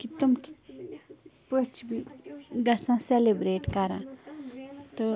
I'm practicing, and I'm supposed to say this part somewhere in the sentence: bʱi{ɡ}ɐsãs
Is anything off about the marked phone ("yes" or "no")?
no